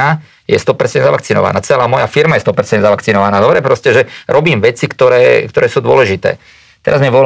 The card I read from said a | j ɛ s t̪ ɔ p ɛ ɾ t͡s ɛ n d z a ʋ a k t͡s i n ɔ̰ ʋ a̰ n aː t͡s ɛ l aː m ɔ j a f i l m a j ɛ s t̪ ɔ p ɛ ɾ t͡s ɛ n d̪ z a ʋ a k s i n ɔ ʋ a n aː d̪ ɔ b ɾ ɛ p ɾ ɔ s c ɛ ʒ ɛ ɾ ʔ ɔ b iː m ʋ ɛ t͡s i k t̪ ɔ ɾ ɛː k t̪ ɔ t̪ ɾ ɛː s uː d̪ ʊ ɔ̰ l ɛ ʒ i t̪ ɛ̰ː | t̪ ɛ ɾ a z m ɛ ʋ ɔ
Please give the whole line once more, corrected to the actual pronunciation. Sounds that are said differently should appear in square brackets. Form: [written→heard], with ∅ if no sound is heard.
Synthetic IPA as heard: a | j ɛ s t̪ ɔ p ɛ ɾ t͡s ɛ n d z a ʋ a k t͡s i n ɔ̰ ʋ a̰ n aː t͡s ɛ l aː m ɔ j a f i [l→ɾ] m a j ɛ s t̪ ɔ p ɛ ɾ t͡s ɛ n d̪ z a ʋ a k [s→t͡s] i n ɔ ʋ a n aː d̪ ɔ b ɾ ɛ p ɾ ɔ s c ɛ ʒ ɛ ɾ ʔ ɔ b iː m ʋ ɛ t͡s i k t̪ ɔ ɾ ɛː k t̪ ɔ [t̪→∅] ɾ ɛː s uː d̪ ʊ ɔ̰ l ɛ ʒ i t̪ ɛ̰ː | t̪ ɛ ɾ a z m ɛ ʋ ɔ